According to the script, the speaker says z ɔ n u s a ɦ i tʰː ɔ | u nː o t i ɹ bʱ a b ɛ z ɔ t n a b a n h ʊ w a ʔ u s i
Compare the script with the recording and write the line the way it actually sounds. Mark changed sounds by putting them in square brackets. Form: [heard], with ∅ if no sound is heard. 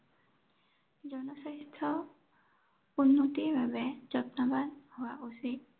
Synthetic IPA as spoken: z ɔ n [ɔ] s a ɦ i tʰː ɔ | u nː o t i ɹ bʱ a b ɛ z ɔ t n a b a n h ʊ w a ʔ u s i